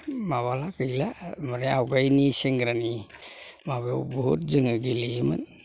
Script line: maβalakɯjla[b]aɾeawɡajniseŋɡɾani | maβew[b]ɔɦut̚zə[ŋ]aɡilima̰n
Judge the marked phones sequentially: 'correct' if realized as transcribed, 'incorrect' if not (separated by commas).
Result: incorrect, correct, correct